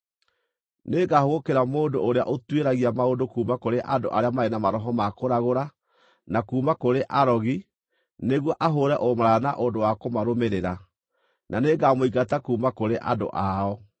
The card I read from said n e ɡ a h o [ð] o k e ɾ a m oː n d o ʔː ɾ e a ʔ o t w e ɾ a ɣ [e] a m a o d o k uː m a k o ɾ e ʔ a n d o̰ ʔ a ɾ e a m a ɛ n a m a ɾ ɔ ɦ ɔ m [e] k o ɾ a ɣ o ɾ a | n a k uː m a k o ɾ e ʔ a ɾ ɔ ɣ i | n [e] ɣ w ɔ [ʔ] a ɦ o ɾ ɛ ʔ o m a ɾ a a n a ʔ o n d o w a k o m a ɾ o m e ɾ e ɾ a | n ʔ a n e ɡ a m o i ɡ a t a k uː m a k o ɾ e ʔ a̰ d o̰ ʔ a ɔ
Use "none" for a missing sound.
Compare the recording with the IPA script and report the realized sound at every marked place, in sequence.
ɣ, i, a, e, ʔ

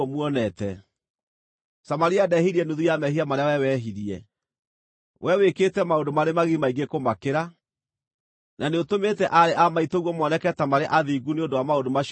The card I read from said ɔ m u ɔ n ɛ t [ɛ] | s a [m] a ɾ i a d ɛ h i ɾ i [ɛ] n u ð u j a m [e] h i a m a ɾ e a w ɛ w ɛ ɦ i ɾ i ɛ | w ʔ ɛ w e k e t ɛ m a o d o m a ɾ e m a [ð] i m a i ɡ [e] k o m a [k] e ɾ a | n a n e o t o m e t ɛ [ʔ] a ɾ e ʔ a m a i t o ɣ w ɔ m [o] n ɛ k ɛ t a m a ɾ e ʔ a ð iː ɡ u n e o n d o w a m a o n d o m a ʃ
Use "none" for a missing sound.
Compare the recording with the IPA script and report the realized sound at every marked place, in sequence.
ɛ, m, ɛ, ɛ, ɣ, e, k, ʔ, ɔ

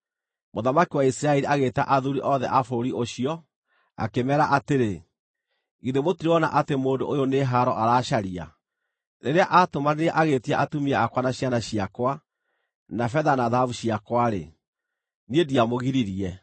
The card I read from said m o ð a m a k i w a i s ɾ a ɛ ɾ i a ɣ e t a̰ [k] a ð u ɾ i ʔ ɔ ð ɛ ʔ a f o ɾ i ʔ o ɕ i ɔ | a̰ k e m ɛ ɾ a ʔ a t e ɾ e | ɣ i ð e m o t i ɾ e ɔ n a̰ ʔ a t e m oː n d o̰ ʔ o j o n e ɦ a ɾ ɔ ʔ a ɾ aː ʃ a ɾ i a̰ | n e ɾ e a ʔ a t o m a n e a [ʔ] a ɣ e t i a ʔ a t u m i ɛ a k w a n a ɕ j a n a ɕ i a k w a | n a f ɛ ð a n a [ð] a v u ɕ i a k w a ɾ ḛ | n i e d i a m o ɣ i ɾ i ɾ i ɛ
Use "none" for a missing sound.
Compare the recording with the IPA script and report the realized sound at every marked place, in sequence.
ʔ, ʔ, ð

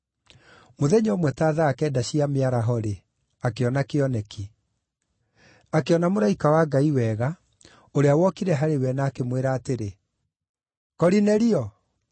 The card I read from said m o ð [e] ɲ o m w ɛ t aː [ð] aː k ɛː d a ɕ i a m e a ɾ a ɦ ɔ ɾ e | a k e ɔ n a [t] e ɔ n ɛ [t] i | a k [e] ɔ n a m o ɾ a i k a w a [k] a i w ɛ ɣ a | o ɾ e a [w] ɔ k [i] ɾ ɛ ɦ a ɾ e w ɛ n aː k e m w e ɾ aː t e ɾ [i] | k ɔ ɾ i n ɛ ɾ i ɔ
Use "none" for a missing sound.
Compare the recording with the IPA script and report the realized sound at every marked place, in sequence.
ɛ, ð, k, k, e, ɡ, w, i, e

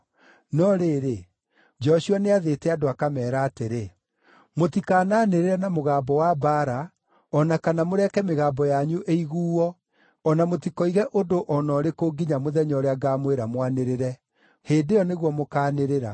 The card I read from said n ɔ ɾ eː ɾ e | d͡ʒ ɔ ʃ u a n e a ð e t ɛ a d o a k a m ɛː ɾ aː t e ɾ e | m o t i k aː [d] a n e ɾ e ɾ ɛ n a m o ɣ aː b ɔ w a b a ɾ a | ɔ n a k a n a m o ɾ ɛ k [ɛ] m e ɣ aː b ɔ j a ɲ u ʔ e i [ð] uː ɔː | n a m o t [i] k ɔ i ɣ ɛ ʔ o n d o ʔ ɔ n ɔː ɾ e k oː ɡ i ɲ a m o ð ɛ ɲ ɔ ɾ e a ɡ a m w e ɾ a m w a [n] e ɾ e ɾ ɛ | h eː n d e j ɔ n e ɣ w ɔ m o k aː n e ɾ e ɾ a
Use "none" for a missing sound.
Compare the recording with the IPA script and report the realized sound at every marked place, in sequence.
n, ɛ, ɣ, i, n

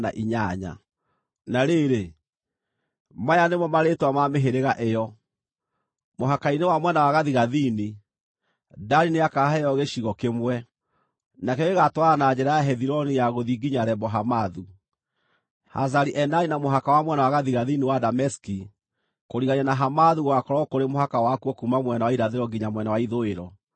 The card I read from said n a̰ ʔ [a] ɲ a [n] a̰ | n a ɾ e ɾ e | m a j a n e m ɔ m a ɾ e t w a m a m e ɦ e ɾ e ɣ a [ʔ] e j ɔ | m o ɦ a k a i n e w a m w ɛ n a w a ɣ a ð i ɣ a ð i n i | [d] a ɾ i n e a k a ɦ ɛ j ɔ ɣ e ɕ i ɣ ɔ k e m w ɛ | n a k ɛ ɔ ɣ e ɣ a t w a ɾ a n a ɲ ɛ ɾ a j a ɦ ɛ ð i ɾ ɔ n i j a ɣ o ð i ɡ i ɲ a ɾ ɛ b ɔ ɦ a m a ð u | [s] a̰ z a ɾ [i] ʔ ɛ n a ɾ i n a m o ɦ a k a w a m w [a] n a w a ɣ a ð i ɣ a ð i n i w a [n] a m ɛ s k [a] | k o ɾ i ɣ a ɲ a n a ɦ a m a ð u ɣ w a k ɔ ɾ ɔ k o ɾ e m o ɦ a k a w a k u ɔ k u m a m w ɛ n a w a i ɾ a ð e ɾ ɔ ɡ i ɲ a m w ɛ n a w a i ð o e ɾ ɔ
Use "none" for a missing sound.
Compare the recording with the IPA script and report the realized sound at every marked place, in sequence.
i, ɲ, ʔ, d, h, i, ɛ, d, i

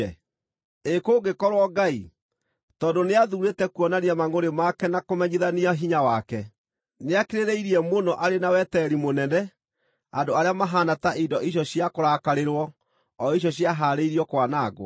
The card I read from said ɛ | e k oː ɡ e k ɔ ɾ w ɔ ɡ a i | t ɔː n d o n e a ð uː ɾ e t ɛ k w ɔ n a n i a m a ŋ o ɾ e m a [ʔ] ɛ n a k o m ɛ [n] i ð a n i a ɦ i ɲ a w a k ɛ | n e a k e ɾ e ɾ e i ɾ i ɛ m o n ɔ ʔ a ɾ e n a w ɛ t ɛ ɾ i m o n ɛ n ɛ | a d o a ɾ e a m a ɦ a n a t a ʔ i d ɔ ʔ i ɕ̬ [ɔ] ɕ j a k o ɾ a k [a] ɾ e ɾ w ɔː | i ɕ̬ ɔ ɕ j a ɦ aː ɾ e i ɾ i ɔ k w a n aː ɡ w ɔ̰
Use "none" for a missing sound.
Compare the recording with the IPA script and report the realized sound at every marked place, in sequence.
k, ɲ, ɔ, a

